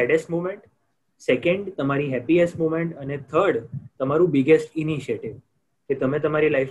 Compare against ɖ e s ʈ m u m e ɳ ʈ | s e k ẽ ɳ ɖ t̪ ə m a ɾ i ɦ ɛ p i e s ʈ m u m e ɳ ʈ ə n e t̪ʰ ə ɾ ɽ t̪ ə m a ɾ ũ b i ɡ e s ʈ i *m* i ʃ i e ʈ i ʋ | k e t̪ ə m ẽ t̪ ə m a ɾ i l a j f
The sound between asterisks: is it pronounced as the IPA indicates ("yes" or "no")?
no